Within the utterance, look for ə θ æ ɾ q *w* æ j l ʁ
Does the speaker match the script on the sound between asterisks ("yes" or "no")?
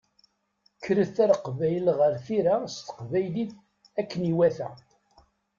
no